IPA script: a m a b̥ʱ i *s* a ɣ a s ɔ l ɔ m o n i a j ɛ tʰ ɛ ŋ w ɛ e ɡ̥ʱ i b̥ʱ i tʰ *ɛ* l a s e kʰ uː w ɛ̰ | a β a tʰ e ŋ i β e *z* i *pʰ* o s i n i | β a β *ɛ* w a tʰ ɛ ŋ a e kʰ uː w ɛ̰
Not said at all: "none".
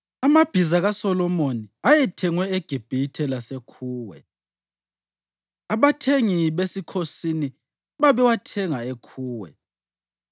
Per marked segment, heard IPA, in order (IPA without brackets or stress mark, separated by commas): z, ɛ, s, kʰ, ɛ